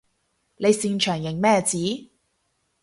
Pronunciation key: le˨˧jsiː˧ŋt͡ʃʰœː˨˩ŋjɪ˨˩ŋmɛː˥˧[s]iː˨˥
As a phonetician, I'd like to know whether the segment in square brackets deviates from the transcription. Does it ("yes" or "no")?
yes